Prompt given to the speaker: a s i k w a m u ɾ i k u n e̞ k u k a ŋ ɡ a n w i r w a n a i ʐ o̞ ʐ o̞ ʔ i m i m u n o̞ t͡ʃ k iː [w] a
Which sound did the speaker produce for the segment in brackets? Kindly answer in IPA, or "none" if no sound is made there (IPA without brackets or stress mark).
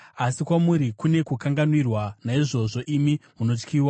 w